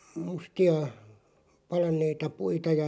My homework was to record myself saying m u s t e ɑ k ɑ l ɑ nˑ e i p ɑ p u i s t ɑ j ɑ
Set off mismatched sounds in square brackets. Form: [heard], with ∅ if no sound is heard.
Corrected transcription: m u s t [i] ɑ [p] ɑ l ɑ nˑ e i [t] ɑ p u i [∅] t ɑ j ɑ